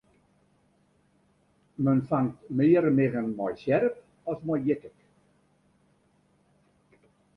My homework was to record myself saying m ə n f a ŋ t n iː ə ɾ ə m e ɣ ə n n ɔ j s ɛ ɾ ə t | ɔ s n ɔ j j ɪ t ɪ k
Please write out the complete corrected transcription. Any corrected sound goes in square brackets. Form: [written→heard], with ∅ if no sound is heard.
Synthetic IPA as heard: m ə n f a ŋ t [n→m] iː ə ɾ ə m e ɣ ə n [n→m] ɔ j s ɛ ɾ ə [t→p] | ɔ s [n→m] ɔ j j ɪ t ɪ k